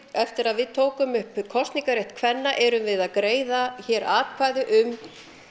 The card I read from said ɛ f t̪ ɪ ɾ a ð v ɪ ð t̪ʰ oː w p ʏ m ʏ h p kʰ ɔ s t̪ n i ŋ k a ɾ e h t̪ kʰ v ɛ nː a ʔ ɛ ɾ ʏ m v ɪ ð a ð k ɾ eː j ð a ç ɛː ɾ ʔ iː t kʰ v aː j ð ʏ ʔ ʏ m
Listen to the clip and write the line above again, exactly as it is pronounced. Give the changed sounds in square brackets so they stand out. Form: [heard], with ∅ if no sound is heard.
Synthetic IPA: ɛ f t̪ ɪ ɾ a ð v ɪ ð t̪ʰ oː w [k] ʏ m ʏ h p kʰ ɔ s t̪ n i ŋ k a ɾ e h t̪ kʰ v ɛ nː a ʔ ɛ ɾ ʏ m v ɪ ð a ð k ɾ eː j ð a ç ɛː ɾ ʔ [aː] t kʰ v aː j ð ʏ ʔ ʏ m